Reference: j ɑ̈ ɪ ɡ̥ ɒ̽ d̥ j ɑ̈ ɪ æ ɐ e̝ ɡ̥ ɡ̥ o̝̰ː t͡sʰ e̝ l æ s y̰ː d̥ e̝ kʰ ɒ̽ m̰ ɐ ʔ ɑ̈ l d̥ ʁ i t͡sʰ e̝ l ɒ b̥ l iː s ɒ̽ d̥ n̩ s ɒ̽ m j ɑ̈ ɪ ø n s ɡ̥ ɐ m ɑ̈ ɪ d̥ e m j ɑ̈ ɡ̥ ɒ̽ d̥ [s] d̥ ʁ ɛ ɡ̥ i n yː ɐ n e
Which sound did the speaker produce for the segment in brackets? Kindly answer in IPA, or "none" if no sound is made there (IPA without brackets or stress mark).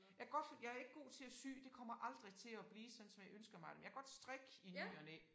s